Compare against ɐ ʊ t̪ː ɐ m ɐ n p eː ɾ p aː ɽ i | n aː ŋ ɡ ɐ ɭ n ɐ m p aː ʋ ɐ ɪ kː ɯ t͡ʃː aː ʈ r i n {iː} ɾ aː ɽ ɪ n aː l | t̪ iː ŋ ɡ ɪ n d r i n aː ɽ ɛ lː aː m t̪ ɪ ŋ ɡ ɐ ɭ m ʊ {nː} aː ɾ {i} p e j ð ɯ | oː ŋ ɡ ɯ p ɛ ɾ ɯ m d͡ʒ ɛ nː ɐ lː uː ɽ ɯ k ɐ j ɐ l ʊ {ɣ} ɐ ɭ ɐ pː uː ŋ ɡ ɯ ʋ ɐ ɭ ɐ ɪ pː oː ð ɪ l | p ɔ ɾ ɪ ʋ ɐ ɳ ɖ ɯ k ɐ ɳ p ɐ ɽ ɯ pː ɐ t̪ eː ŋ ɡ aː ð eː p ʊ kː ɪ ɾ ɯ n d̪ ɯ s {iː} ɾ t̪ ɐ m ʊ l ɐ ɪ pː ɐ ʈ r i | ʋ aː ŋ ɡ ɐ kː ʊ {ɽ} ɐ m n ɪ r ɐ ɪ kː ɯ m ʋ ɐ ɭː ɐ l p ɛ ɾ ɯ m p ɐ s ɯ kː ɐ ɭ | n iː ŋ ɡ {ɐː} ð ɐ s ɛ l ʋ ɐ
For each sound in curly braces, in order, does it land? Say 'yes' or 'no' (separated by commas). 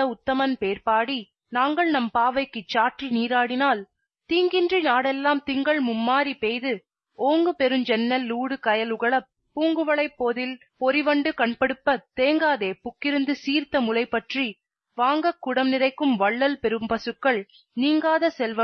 yes, no, yes, yes, yes, yes, no